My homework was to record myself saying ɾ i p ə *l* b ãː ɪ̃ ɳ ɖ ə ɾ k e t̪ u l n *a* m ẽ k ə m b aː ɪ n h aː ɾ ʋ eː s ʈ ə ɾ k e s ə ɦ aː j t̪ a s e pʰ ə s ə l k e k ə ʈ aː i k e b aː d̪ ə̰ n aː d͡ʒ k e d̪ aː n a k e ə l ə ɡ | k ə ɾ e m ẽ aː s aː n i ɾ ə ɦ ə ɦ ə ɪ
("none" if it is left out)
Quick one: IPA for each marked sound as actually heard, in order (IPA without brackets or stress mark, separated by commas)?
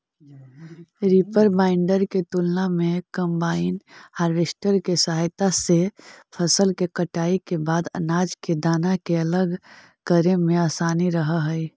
ɾ, a